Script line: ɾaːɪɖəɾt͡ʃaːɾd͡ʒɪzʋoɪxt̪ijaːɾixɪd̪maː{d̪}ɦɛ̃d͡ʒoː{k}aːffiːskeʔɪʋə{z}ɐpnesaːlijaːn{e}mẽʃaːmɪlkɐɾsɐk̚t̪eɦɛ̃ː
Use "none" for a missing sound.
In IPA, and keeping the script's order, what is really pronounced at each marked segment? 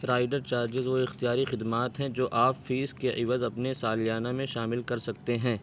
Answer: t̪, ʔ, z, a

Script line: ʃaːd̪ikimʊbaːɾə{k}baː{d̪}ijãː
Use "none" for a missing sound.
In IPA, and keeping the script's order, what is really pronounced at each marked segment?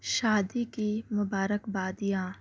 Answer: k, d̪

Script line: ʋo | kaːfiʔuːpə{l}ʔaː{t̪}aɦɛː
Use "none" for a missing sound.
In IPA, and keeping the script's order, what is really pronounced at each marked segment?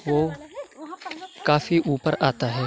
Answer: ɾ, t̪

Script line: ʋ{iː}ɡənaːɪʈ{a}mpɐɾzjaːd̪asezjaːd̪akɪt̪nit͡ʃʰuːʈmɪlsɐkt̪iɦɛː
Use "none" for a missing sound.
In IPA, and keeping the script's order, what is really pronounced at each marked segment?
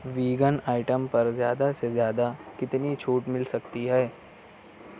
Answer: iː, ə

